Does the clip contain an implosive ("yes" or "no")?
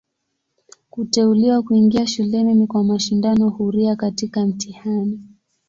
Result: no